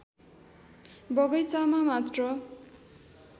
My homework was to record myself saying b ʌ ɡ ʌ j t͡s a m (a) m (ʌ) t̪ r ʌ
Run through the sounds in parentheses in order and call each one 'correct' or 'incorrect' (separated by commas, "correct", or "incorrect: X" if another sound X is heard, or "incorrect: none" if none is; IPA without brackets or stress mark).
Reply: correct, incorrect: a